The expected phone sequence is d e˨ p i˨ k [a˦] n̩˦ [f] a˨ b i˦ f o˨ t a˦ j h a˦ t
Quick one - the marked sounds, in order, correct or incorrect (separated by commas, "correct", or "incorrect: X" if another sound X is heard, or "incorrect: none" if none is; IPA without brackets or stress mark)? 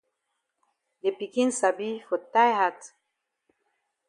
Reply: incorrect: i˦, incorrect: s